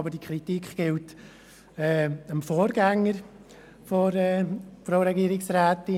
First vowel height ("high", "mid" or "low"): mid